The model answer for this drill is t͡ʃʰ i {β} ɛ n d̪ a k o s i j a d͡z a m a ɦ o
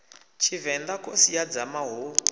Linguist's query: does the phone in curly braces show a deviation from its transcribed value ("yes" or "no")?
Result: yes